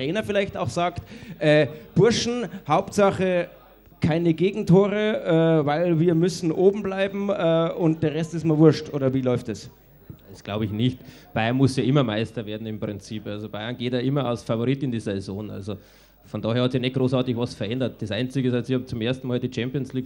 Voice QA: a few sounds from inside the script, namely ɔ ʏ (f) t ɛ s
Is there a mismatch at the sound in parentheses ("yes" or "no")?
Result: no